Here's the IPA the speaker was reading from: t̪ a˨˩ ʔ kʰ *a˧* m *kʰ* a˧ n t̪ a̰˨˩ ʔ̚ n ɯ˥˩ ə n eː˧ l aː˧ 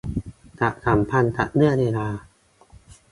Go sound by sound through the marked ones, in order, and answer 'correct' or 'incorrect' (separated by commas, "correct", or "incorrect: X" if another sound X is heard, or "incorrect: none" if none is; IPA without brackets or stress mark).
incorrect: a˩˦, incorrect: pʰ